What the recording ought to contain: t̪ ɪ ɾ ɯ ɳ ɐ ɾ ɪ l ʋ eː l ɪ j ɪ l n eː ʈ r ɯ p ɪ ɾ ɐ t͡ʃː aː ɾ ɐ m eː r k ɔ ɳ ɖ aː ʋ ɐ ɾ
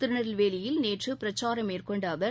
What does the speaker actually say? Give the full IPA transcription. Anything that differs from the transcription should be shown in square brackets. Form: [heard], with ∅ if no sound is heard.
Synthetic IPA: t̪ ɪ ɾ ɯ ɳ ɐ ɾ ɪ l ʋ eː l ɪ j ɪ l n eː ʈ r ɯ p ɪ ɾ ɐ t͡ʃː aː ɾ ɐ m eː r k ɔ ɳ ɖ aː ʋ ɐ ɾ